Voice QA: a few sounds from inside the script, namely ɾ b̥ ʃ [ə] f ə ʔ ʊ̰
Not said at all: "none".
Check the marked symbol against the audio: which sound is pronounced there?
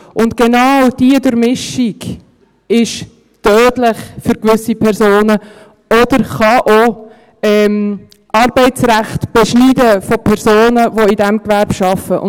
ɑ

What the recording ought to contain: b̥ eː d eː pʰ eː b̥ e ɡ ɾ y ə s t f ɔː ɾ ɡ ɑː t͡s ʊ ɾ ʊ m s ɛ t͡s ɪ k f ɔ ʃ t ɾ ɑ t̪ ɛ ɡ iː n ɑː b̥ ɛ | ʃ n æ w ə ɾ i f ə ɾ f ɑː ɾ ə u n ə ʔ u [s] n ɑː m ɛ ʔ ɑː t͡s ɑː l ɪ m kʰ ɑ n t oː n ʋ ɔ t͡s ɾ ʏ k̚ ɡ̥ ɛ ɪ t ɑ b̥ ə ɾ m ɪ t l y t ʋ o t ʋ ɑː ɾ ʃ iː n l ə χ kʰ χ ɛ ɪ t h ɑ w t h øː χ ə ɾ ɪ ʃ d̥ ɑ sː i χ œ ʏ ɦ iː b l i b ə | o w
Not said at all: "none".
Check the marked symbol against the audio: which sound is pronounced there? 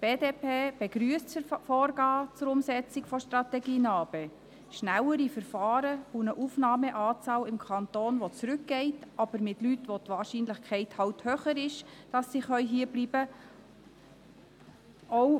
f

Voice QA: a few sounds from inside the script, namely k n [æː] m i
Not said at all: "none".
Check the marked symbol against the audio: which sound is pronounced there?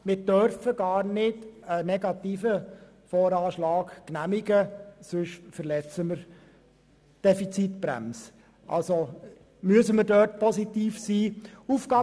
æ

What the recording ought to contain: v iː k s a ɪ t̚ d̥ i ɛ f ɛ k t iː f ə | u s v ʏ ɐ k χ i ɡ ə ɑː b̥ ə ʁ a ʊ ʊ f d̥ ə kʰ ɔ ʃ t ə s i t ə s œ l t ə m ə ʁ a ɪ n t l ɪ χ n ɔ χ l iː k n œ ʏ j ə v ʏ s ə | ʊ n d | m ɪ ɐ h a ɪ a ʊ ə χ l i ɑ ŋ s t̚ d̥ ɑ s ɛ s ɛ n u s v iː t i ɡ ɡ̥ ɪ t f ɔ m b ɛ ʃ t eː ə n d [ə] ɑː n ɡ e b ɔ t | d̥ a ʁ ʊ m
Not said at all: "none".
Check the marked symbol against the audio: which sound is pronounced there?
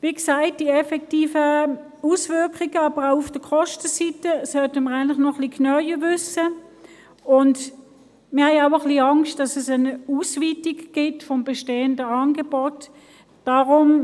ə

